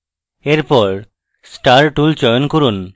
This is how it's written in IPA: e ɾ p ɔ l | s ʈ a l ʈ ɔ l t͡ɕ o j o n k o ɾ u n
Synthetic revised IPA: e ɾ p ɔ ɾ | s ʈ a ɾ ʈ u l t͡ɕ ɔ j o n k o ɾ u n